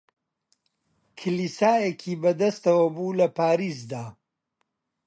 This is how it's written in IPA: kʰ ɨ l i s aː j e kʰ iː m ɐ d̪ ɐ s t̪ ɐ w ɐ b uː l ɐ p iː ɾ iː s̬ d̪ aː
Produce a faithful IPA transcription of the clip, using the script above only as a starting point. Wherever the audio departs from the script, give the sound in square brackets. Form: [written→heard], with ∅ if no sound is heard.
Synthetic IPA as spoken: kʰ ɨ l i s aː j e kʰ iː [m→b] ɐ d̪ ɐ s t̪ ɐ w ɐ b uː l ɐ p [iː→aː] ɾ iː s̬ d̪ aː